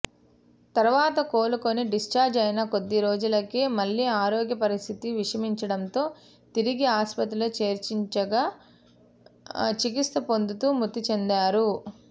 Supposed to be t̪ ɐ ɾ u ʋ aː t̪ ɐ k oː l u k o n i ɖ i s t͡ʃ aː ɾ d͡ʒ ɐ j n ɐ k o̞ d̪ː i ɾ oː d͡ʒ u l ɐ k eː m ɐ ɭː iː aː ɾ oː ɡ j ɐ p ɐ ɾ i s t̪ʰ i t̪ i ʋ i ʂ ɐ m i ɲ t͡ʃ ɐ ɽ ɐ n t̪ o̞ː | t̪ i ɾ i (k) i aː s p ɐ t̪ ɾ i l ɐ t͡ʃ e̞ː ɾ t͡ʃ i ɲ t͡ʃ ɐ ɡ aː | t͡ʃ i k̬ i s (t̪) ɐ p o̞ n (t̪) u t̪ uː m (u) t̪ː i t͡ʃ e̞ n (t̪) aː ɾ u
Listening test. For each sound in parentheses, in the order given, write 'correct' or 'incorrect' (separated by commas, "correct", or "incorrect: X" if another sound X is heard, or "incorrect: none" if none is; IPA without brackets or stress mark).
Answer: incorrect: ɡ, correct, incorrect: d̪, correct, incorrect: d̪